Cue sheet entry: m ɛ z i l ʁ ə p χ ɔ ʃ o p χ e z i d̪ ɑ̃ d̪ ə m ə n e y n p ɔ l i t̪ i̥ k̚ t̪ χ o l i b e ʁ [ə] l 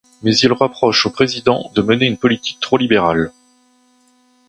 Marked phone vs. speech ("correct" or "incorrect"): incorrect